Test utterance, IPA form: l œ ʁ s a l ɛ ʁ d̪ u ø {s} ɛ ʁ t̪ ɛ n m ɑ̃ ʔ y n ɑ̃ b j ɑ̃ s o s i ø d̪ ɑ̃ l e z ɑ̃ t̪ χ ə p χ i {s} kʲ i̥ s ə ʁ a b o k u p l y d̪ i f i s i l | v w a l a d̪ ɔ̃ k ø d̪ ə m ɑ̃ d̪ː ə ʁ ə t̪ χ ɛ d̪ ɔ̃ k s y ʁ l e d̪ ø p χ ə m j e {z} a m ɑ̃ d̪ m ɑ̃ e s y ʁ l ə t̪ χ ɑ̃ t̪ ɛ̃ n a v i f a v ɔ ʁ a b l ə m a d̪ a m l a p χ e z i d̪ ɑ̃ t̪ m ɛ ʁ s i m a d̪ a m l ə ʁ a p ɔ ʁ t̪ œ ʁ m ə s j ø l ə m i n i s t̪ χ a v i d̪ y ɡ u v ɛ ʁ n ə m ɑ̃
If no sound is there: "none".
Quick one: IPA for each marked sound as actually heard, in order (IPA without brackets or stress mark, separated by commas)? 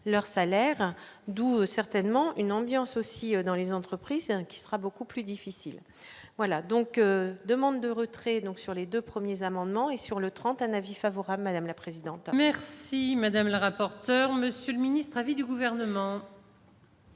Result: s, z, z